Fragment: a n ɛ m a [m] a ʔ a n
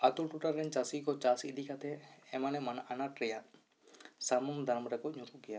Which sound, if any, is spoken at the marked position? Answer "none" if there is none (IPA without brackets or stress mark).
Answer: n